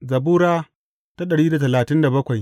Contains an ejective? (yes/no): no